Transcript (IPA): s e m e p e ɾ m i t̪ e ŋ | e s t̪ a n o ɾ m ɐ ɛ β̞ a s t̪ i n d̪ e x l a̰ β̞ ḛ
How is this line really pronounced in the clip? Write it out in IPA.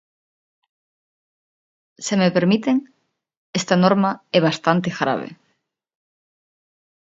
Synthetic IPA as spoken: s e m e p e ɾ m i t̪ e ŋ | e s t̪ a n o ɾ m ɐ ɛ β̞ a s t̪ a n t̪ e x ɾ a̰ β̞ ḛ